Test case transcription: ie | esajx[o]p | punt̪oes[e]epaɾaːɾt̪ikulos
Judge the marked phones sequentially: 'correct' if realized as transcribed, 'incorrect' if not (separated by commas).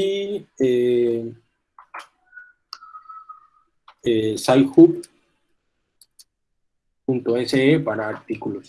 incorrect, correct